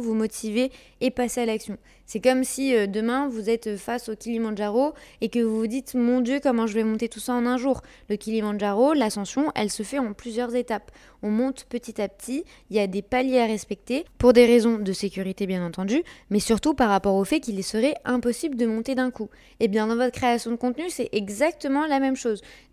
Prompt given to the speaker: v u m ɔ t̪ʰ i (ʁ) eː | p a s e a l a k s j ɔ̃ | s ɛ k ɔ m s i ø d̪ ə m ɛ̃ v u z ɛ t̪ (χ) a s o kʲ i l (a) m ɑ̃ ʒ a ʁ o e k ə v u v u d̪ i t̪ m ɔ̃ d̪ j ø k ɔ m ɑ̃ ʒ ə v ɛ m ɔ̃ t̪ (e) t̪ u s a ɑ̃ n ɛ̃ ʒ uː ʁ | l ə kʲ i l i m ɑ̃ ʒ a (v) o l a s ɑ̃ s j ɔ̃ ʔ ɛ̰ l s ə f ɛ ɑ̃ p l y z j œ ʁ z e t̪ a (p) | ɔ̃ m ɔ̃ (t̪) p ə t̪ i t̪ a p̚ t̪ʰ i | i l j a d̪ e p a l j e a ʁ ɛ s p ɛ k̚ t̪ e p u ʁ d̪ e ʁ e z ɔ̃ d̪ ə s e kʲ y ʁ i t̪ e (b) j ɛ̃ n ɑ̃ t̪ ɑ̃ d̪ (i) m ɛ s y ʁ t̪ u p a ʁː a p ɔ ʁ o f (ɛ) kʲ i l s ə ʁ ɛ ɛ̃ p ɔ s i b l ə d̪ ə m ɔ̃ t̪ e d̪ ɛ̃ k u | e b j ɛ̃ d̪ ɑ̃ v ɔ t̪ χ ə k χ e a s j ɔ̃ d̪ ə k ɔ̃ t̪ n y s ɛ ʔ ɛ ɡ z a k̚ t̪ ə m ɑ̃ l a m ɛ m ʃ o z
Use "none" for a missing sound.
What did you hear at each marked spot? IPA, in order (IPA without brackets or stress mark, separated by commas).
v, f, i, e, ʁ, p, t̪, b, y, ɛ